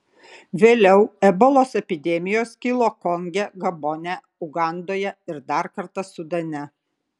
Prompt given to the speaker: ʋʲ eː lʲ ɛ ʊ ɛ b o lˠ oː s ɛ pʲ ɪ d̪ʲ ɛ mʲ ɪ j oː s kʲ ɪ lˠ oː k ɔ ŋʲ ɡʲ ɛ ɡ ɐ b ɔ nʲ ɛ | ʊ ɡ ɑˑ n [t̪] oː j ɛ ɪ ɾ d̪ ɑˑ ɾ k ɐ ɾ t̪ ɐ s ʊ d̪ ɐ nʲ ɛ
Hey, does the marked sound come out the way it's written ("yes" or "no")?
no